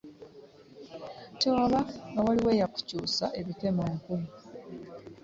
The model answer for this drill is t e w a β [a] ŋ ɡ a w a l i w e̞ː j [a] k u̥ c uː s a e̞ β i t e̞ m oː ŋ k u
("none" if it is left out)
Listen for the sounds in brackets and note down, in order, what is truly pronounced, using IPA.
a, a

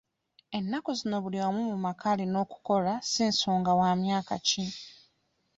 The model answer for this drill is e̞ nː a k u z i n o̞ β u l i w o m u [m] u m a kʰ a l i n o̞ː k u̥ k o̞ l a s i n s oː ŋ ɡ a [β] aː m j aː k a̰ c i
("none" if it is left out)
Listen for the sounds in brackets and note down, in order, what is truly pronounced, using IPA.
m, w

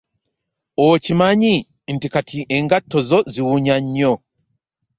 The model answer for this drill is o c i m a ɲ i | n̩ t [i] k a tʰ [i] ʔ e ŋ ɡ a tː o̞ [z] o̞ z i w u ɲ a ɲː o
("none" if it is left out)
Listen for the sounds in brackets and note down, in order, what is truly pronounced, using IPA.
i, i, z

